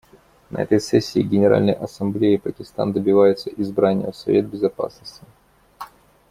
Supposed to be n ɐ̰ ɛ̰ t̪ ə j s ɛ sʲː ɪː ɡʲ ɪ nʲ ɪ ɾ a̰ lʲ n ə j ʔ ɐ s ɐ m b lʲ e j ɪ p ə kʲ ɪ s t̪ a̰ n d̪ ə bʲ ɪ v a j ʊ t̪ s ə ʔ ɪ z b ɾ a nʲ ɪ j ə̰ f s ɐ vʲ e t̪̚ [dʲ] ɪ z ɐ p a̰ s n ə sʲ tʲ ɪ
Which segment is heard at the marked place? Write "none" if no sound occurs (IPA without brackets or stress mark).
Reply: bʲ